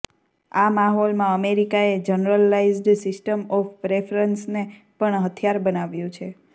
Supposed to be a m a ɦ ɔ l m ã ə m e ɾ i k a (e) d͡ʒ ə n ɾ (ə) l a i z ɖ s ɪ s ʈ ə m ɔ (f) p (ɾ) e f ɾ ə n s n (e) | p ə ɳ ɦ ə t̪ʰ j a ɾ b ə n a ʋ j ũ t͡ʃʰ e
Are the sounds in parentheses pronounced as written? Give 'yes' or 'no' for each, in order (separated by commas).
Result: yes, yes, yes, yes, yes